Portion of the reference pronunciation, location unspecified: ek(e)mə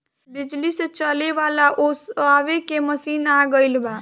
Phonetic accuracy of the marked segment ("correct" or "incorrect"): correct